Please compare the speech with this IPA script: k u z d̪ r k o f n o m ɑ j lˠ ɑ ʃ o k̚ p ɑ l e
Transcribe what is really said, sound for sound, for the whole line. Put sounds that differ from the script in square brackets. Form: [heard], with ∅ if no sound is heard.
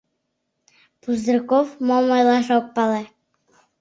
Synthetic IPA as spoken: [p] u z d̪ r k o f [m] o m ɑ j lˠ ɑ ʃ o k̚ p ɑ l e